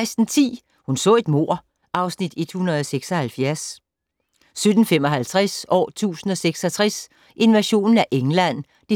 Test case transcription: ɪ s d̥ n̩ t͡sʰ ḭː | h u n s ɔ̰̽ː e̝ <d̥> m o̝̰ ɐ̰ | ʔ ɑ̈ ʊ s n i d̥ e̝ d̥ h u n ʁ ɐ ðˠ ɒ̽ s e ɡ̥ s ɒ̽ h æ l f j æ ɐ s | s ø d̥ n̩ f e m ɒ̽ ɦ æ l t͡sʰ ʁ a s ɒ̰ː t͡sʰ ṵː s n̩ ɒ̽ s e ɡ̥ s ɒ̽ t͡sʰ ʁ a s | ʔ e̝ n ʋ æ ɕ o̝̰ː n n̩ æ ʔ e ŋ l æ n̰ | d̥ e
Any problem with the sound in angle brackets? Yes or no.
no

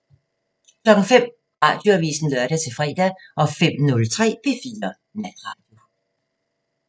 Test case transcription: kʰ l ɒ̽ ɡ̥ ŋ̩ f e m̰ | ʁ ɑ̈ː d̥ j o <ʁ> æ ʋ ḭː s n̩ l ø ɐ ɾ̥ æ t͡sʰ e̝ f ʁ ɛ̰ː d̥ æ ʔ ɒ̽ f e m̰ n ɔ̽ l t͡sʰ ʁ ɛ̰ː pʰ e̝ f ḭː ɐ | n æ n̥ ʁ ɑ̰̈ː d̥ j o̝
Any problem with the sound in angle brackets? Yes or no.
yes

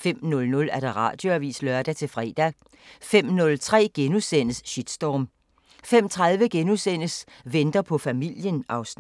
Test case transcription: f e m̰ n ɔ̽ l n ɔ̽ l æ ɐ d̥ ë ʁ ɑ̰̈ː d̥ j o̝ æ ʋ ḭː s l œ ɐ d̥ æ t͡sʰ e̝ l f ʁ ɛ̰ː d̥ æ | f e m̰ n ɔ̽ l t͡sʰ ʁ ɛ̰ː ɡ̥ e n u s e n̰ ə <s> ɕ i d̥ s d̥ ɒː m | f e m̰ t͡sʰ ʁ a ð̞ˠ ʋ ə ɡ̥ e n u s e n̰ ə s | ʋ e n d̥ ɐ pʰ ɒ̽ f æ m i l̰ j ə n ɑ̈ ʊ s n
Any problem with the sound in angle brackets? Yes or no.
no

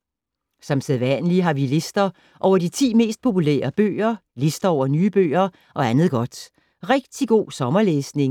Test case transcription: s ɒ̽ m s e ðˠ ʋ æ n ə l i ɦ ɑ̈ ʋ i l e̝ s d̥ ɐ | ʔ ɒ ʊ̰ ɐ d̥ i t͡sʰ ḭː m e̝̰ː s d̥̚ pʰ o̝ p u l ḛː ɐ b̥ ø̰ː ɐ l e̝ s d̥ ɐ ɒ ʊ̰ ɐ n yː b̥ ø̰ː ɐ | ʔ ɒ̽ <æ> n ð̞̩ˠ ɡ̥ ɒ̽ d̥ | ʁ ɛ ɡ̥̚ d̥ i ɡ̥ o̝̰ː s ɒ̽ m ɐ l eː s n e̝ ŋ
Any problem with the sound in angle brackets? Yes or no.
no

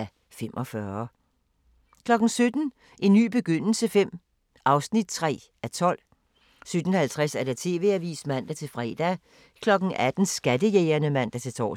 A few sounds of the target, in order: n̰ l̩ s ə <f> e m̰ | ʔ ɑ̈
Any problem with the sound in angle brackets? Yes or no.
no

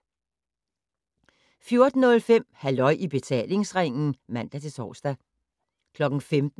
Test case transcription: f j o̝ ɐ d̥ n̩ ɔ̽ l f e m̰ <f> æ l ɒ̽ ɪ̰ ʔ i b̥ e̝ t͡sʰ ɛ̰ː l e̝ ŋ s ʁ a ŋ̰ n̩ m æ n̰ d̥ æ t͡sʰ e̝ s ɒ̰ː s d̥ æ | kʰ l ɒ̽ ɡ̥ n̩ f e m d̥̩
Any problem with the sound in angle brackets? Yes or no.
yes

